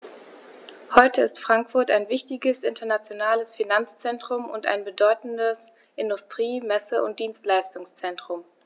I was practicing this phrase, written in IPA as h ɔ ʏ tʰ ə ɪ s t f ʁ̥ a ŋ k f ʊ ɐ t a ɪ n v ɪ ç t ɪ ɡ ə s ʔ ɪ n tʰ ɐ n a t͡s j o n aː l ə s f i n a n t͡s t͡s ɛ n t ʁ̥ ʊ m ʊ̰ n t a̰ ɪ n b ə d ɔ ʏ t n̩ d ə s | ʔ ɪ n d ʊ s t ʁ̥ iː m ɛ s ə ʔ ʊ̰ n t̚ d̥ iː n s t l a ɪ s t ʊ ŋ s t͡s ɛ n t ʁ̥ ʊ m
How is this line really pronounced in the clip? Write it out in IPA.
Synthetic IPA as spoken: h ɔ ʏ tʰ ə ɪ s t f ʁ̥ a ŋ k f ʊ ɐ t a ɪ n v ɪ ç t ɪ ɡ ə s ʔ ɪ n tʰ ɐ n a t͡s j o n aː l ə s f i n a n t͡s t͡s ɛ n t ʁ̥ ʊ m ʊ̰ n t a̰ ɪ n b ə d ɔ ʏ t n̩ d ə s | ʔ ɪ n d ʊ s t ʁ̥ iː m ɛ s ə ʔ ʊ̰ n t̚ d̥ iː n s t l a ɪ s t ʊ ŋ s t͡s ɛ n t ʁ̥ ʊ m